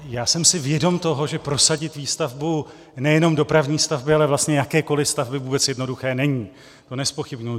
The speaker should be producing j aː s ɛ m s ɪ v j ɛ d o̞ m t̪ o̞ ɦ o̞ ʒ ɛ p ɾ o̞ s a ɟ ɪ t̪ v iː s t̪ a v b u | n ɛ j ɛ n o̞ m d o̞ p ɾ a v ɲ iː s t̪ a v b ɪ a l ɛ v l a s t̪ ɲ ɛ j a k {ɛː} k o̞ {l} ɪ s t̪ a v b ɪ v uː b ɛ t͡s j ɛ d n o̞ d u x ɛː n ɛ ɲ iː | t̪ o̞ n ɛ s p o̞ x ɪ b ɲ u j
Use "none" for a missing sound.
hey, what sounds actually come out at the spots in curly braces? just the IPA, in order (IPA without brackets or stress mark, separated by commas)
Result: ɛː, l